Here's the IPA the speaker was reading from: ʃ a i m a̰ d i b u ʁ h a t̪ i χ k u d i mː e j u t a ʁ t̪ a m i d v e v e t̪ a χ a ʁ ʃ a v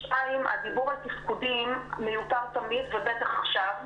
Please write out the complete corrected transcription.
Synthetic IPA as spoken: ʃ a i m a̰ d i b u ʁ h a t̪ i f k u d i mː e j u t a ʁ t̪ a m i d v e b e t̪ a χ a χ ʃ a v

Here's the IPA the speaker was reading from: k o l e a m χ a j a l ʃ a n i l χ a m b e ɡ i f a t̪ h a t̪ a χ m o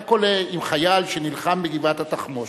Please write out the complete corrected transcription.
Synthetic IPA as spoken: k o l e i m χ a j a l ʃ e n i l χ a m b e ɡ i v a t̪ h a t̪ a χ m o

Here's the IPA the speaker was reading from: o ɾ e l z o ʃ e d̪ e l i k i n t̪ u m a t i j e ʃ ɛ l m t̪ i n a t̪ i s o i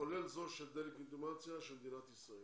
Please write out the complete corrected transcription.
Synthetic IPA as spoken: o l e l z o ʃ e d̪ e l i k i n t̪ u m a t͡s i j a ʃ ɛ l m d̪ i n a t̪ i s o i

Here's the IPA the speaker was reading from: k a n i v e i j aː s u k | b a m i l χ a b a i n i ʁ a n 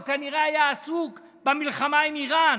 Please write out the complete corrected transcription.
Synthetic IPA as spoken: k a n i ʁ e a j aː s u k | b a m i l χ a m a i m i ʁ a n

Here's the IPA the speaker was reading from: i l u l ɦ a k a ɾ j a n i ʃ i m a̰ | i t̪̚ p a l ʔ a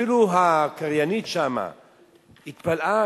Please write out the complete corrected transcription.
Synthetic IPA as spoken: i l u ɦ a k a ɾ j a n i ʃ a m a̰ | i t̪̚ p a l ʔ a

